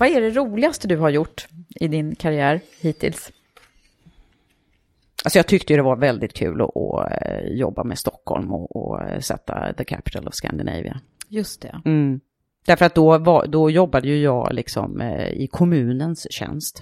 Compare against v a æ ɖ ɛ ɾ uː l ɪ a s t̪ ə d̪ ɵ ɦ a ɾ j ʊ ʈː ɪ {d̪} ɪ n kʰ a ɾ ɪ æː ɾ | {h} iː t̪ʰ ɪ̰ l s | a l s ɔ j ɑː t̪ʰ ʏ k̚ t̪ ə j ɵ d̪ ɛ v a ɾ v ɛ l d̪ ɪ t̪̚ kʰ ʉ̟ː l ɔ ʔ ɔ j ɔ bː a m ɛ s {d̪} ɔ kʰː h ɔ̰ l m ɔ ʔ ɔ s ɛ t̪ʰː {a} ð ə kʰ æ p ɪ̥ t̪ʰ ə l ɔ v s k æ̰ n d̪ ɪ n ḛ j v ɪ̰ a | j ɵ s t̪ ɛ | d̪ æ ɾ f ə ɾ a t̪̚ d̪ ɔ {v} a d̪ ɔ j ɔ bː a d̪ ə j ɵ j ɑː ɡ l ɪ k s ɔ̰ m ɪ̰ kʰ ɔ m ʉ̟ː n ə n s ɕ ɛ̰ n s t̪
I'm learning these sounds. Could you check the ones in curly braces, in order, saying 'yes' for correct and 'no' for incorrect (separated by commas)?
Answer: yes, yes, no, yes, yes